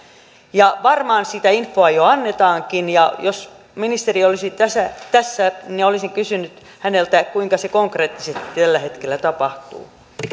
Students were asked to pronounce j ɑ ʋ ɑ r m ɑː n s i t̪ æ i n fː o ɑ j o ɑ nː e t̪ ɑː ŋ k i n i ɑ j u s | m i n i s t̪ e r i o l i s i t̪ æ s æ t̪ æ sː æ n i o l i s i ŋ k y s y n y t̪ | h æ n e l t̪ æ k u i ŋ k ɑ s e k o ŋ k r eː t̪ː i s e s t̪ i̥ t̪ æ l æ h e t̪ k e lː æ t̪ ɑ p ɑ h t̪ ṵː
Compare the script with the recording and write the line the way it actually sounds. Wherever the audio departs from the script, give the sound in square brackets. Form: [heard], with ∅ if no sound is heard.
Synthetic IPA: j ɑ ʋ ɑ r m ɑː n s i t̪ æ i n fː o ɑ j o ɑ nː e t̪ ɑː ŋ k i n [j] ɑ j [o] s | m i n i s t̪ e r i o l i s i t̪ æ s æ t̪ æ sː æ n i o l i s i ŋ k y s y n y t̪ | h æ n e l t̪ æ k u i ŋ k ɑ s e k o ŋ k r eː t̪ː i s e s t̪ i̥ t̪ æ [lː] æ h e t̪ k e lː æ t̪ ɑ p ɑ h t̪ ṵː